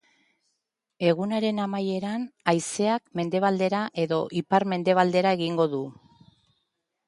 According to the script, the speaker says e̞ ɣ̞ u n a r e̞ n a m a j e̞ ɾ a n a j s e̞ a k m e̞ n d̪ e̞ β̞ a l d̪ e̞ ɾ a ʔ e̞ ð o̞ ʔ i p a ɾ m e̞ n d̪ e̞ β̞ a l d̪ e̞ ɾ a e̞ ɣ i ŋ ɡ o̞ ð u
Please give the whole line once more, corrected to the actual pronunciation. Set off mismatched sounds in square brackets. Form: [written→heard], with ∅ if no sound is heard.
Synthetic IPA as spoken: e̞ ɣ̞ u n a [r→ɾ] e̞ n a m a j e̞ ɾ a n a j s e̞ a k m e̞ n d̪ e̞ β̞ a l d̪ e̞ ɾ a ʔ e̞ ð o̞ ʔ i p a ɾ m e̞ n d̪ e̞ β̞ a l d̪ e̞ ɾ a e̞ ɣ i ŋ ɡ o̞ ð u

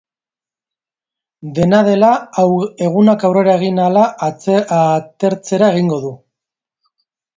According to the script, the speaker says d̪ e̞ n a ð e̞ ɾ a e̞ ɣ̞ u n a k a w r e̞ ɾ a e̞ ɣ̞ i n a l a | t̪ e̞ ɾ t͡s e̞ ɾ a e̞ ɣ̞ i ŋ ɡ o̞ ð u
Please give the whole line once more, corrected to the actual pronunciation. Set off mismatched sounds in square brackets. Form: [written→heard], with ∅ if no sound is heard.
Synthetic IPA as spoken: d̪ e̞ n a ð e̞ [ɾ→l] a e̞ ɣ̞ u n a k a w r e̞ ɾ a e̞ ɣ̞ i n a l a | t̪ e̞ ɾ t͡s e̞ ɾ a e̞ ɣ̞ i ŋ ɡ o̞ ð u

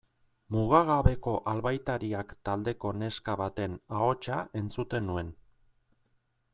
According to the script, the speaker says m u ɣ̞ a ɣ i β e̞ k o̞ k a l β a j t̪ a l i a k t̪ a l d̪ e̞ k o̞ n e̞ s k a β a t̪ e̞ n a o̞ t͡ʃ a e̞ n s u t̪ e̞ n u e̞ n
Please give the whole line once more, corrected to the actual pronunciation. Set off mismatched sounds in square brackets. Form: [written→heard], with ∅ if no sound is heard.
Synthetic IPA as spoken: m u ɣ̞ a ɣ [i→a] β e̞ k o̞ [k→ʔ] a l β a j t̪ a [l→ɾ] i a k t̪ a l d̪ e̞ k o̞ n e̞ s k a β a t̪ e̞ n a o̞ t͡ʃ a e̞ n [s→t͡s] u t̪ e̞ n u e̞ n

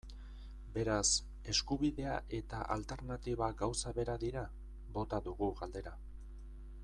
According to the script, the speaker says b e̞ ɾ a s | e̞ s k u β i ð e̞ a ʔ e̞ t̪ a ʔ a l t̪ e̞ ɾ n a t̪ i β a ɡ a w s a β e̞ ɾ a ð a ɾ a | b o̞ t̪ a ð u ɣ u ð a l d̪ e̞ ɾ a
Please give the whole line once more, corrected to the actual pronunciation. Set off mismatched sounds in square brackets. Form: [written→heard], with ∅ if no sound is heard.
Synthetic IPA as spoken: b e̞ ɾ a s | e̞ s k u β i ð e̞ a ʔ e̞ t̪ a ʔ a l t̪ e̞ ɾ n a t̪ i β a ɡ a w s a β e̞ ɾ a ð [a→i] ɾ a | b o̞ t̪ a ð u ɣ u [ð→ɣ] a l d̪ e̞ ɾ a

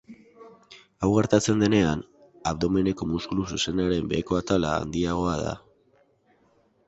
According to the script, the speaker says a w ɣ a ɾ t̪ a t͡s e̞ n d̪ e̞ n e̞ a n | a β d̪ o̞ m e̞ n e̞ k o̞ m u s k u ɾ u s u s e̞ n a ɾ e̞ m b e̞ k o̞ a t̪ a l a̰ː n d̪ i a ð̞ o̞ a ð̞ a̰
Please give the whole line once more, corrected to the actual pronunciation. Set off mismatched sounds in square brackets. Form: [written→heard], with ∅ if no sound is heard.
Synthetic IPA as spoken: a w ɣ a ɾ t̪ a t͡s e̞ n d̪ e̞ n e̞ a n | a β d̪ o̞ m e̞ n e̞ k o̞ m u s k u [ɾ→l] u s u s e̞ n a ɾ e̞ m b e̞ k o̞ a t̪ a l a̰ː n d̪ i a [ð̞→ɣ̞] o̞ a ð̞ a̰

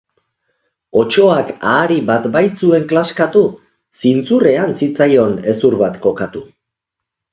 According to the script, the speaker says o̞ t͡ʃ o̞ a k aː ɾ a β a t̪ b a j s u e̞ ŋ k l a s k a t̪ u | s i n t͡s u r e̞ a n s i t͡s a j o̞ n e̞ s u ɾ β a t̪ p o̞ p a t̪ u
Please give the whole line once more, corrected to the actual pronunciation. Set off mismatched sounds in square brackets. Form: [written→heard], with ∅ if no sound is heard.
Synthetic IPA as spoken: o̞ t͡ʃ o̞ a k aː ɾ [a→i] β a t̪ b a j [s→t͡s] u e̞ ŋ k l a s k a t̪ u | s i n t͡s u r e̞ a n s i t͡s a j o̞ n e̞ s u ɾ β a t̪ [p→k] o̞ [p→k] a t̪ u

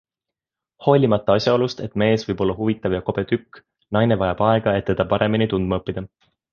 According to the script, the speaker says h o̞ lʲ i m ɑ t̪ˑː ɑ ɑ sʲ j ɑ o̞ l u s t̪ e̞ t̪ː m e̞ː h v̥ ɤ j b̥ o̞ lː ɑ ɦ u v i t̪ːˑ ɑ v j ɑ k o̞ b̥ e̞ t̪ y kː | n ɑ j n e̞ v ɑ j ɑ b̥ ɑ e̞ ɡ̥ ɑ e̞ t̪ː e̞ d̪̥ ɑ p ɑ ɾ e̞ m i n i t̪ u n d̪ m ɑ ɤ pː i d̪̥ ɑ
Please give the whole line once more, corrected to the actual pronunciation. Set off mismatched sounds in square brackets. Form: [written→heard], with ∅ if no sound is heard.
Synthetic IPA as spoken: h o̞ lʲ i m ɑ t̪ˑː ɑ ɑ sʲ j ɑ o̞ l u s t̪ e̞ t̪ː m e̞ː [h→s] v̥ ɤ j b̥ o̞ lː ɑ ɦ u v i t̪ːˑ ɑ v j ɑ k o̞ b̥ e̞ t̪ y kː | n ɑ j n e̞ v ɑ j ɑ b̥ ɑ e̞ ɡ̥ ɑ e̞ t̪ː e̞ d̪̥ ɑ p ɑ ɾ e̞ m i n i t̪ u n d̪ m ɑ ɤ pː i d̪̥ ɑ

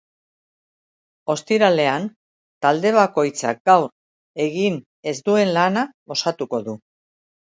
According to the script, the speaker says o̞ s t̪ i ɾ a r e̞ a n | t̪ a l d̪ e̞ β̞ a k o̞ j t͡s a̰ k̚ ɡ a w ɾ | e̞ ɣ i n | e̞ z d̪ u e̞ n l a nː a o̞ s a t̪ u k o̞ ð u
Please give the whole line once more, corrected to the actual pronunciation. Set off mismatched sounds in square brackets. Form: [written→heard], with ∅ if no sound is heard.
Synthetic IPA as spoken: o̞ s t̪ i ɾ a [r→l] e̞ a n | t̪ a l d̪ e̞ β̞ a k o̞ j t͡s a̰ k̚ ɡ a w ɾ | e̞ ɣ i n | e̞ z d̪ u e̞ n l a [nː→n] a o̞ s a t̪ u k o̞ ð u

